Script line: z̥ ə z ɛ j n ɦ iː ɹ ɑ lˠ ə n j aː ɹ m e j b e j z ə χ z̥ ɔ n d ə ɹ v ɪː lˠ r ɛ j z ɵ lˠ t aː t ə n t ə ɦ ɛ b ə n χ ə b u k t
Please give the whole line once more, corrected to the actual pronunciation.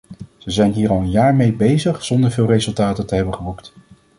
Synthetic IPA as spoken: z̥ ə z ɛ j n ɦ iː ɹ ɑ lˠ ə n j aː ɹ m e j b e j z ə χ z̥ ɔ n d ə ɹ v ɪː lˠ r e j z ɵ lˠ t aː t ə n t ə ɦ ɛ b ə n χ ə b u k t